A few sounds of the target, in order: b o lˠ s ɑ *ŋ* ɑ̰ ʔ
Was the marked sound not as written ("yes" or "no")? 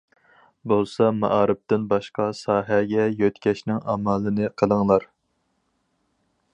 yes